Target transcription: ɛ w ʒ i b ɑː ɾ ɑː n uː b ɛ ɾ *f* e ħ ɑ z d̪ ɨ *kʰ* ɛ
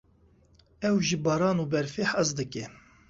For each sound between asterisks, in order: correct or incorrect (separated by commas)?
correct, incorrect